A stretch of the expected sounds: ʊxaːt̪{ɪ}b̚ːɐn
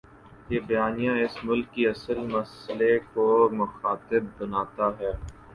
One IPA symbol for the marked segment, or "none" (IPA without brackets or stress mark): ɪ